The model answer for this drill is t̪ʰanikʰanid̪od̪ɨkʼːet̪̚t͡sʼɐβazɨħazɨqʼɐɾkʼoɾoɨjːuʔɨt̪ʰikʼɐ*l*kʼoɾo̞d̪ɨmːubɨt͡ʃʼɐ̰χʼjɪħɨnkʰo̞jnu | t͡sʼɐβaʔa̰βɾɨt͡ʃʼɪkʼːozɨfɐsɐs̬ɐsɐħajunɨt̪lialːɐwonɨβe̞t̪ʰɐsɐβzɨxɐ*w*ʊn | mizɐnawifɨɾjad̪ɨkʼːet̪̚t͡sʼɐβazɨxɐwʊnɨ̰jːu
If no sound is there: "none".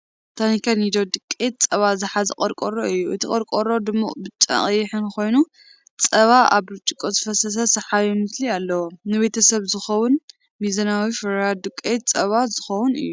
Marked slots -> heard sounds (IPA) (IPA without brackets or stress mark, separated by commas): ɾ, w